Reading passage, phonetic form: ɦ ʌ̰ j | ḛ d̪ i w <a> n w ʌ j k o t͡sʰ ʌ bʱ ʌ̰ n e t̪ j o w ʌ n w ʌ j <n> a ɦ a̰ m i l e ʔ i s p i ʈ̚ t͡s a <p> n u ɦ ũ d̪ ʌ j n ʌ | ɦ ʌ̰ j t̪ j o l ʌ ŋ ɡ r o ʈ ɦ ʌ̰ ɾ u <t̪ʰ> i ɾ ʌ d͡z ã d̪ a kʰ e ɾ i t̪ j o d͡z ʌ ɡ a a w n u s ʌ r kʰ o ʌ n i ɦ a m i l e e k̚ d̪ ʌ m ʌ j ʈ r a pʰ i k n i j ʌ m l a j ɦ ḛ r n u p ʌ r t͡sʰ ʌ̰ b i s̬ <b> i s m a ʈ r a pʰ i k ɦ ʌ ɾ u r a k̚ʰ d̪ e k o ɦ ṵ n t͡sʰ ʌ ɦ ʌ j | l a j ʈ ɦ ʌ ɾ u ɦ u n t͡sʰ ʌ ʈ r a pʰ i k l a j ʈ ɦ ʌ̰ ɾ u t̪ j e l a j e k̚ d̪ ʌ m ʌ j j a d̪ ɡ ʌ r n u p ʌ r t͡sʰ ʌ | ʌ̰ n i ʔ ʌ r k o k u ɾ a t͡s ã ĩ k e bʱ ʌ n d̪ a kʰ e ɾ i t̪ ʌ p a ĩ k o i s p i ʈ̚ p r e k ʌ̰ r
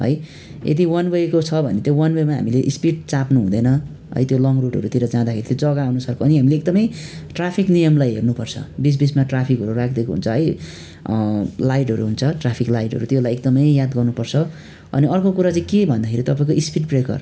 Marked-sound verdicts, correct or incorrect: incorrect: ʌ, incorrect: m, correct, incorrect: t̪, correct

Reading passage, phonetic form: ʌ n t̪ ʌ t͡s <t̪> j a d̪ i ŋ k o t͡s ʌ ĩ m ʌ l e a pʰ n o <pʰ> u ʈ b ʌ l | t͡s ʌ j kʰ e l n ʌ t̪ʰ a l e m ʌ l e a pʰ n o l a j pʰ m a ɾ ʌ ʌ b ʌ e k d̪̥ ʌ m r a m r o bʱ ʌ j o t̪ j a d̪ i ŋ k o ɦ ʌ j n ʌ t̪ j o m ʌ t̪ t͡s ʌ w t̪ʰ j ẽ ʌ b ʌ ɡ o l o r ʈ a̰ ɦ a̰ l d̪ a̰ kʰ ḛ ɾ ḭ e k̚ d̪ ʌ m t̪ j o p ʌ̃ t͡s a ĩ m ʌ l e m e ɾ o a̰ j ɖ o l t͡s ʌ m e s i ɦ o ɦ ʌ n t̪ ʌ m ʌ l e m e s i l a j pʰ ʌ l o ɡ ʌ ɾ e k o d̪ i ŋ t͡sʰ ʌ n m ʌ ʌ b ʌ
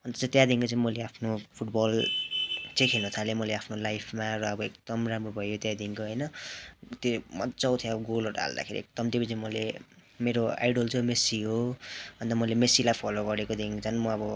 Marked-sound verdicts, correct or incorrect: correct, correct

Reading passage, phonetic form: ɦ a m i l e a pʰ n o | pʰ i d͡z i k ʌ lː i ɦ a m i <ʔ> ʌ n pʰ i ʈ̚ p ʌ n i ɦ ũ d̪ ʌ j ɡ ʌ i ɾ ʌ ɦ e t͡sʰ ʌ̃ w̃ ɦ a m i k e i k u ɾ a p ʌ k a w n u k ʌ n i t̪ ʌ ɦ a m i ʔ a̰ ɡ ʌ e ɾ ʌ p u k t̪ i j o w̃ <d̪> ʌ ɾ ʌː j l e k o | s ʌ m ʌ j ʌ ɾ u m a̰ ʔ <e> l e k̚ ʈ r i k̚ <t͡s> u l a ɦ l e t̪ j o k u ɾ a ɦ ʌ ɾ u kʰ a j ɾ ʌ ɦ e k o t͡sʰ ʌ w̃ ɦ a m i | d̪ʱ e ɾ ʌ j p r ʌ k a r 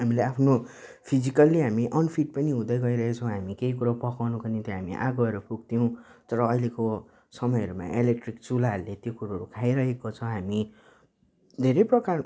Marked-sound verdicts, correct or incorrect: correct, incorrect: t̪, correct, correct

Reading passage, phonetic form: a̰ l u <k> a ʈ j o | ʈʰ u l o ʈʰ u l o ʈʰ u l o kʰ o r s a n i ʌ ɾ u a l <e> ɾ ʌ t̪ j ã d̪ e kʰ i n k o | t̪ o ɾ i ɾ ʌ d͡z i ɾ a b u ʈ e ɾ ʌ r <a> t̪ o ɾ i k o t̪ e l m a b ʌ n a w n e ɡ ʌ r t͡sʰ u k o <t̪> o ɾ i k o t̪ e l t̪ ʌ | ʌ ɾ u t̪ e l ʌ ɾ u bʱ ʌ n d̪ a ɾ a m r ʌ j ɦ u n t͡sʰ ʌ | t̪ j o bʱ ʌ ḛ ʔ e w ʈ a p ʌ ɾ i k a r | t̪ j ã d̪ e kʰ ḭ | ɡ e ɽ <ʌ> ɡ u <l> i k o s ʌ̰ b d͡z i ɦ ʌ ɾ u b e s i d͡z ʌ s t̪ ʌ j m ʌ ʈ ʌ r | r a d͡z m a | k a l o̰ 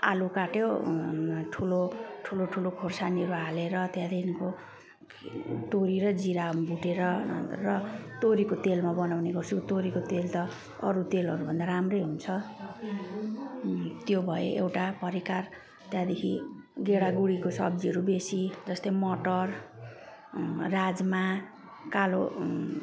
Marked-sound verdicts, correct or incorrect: correct, correct, incorrect: ʌ, correct, incorrect: a, incorrect: ɽ

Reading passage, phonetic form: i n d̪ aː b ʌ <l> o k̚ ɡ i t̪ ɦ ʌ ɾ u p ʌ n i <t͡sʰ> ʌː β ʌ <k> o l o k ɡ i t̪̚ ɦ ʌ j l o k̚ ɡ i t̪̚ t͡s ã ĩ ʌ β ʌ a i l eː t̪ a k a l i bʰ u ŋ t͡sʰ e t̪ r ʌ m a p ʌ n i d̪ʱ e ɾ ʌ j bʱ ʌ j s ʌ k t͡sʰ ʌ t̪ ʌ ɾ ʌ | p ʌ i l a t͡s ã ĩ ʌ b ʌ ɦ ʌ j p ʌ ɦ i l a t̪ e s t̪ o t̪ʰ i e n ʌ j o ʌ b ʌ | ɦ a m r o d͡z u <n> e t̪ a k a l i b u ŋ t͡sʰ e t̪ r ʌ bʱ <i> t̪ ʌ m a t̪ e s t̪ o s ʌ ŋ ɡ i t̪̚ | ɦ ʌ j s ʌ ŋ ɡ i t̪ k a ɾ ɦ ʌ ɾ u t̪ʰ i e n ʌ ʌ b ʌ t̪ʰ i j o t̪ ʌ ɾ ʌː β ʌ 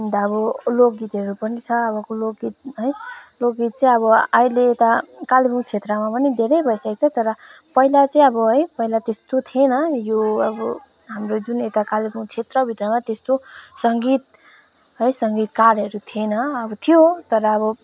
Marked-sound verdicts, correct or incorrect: correct, correct, correct, correct, correct

